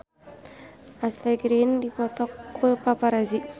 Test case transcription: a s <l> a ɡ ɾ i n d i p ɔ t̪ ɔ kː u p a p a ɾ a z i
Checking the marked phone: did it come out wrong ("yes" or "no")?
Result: no